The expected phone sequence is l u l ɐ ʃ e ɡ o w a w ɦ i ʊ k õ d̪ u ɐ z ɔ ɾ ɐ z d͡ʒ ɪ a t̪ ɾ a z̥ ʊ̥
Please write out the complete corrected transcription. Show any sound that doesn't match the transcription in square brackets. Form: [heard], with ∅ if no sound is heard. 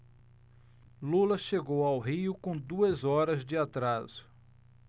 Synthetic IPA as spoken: l u l ɐ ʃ e ɡ o w a w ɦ i ʊ k õ d̪ u ɐ z ɔ ɾ ɐ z d͡ʒ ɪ a t̪ ɾ a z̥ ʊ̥